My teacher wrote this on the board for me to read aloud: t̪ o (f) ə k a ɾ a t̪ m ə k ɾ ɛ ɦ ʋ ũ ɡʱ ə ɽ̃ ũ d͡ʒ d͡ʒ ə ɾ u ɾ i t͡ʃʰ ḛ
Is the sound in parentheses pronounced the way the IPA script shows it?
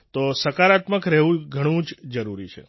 no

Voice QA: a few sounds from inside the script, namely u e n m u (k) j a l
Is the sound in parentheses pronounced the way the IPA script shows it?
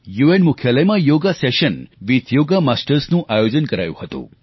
no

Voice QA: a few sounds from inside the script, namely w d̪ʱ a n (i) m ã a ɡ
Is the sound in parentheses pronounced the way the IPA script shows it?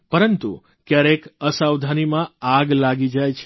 yes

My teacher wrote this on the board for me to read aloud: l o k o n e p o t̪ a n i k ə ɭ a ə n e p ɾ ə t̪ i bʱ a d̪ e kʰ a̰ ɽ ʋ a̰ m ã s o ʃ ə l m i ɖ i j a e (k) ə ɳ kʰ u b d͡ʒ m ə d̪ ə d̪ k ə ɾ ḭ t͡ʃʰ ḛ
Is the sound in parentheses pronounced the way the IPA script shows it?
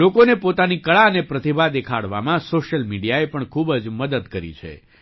no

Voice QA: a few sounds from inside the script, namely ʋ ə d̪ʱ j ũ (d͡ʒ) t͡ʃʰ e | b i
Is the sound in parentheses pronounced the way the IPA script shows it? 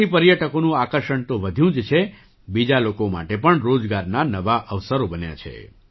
yes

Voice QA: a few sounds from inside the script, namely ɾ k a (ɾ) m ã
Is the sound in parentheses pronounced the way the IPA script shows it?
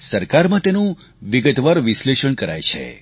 yes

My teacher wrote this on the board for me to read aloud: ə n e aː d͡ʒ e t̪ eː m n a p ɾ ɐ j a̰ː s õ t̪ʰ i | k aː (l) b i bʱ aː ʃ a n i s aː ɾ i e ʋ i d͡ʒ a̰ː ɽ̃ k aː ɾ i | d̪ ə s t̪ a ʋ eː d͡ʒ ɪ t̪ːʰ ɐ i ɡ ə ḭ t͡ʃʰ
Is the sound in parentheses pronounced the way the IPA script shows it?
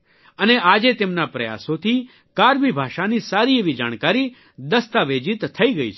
no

